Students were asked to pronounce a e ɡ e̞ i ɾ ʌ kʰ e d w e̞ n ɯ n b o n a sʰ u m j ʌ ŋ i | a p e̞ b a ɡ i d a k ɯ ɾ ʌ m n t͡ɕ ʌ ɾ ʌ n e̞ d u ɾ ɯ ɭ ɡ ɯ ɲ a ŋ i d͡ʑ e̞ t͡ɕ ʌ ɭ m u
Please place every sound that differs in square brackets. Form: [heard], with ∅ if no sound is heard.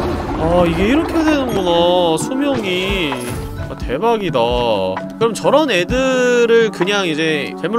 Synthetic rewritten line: a [i] ɡ e̞ i ɾ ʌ kʰ e d w e̞ n ɯ n [ɡ] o n a sʰ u m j ʌ ŋ i | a [t] e̞ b a ɡ i d a k ɯ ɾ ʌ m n t͡ɕ ʌ ɾ ʌ n e̞ d [ɯ] ɾ ɯ ɭ [k] ɯ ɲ a ŋ i d͡ʑ e̞ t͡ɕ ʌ ɭ m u